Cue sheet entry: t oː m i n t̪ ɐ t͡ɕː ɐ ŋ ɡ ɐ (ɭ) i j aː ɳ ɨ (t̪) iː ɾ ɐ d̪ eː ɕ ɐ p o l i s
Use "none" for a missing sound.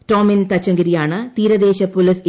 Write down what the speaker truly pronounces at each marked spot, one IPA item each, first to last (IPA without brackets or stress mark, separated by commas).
ɾ, t̪